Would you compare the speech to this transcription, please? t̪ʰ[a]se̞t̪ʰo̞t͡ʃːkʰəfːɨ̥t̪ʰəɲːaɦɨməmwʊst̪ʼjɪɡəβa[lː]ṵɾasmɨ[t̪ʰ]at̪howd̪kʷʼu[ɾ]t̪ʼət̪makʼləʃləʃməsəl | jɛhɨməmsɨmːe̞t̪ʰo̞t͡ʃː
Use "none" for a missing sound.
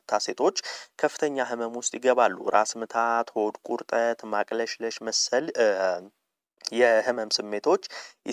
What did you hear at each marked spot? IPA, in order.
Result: a, lː, t̪ʰ, ɾ

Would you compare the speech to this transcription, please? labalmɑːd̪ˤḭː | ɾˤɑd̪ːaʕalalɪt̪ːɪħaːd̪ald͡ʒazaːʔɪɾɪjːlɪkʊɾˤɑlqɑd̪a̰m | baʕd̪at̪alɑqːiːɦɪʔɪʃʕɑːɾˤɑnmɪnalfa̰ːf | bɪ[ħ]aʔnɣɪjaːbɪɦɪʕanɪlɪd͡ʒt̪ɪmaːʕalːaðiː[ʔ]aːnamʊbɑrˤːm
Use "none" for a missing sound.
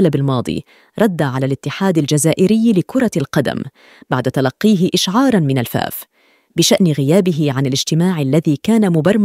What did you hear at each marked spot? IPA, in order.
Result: ʃ, k

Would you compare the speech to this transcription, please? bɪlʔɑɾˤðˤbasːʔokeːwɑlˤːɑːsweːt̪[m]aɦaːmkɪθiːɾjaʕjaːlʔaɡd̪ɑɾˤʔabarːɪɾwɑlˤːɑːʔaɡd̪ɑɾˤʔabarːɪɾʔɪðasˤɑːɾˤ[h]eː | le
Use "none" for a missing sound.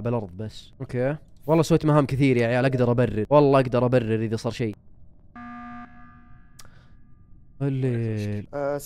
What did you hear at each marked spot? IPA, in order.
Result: m, ʃ

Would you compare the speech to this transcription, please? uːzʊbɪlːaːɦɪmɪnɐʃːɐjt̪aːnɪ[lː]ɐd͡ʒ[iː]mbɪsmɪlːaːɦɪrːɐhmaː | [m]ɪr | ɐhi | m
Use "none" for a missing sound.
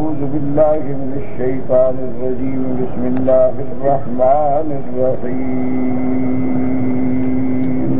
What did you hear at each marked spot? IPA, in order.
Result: rː, iː, n

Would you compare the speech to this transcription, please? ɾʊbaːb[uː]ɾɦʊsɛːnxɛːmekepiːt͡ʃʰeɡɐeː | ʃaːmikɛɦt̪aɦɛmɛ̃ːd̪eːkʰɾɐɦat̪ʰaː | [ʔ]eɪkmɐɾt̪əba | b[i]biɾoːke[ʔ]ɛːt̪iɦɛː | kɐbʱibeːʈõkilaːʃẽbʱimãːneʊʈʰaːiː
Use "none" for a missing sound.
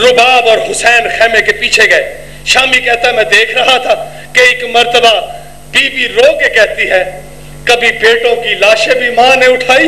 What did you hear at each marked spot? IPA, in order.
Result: ɔː, k, iː, k

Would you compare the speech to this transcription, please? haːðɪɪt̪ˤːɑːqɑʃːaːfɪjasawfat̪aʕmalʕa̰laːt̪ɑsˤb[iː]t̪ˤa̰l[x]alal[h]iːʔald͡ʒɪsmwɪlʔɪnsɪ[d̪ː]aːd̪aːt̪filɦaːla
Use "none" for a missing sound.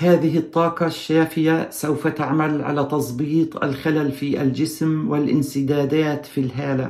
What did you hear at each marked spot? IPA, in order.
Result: iː, x, f, d̪

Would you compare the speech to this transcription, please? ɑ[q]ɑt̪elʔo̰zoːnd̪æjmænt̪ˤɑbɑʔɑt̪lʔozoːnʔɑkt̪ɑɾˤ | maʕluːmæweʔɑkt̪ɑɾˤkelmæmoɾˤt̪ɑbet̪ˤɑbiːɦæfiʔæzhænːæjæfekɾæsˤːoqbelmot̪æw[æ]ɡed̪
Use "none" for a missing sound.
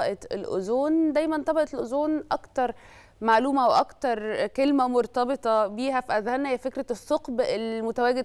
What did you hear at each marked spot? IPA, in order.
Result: ʔ, æː

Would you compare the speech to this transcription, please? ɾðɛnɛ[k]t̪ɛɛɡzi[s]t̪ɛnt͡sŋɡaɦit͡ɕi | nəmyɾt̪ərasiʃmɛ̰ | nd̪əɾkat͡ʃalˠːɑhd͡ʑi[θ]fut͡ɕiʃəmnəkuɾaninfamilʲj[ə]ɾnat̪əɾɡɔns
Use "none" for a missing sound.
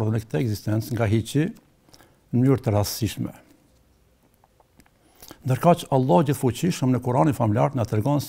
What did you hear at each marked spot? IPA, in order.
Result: k, s, θ, a

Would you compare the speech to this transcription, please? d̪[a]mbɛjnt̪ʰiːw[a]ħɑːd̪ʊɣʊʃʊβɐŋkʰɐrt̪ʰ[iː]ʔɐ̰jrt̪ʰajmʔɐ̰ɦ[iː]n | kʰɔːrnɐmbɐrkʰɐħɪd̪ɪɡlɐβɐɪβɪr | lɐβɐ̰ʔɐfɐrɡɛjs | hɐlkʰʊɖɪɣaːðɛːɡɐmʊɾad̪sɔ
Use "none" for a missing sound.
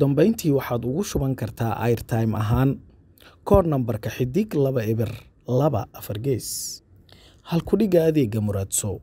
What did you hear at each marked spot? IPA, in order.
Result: ɐ, ɑ, aː, aː

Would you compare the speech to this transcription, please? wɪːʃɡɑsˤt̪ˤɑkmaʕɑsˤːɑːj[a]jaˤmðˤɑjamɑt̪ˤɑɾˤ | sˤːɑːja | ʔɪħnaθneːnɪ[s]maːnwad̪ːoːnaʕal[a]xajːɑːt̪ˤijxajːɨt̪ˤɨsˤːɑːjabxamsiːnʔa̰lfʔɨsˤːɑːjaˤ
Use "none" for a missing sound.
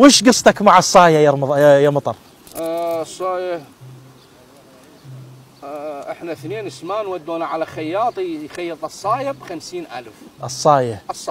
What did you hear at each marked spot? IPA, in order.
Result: a, s, a

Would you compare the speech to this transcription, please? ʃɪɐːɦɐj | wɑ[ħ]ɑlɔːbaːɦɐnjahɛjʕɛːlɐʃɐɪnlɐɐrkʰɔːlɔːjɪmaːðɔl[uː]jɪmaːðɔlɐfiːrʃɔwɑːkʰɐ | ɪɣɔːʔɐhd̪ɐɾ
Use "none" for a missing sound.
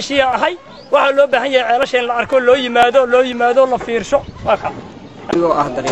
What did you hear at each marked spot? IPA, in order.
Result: ħ, ɔː

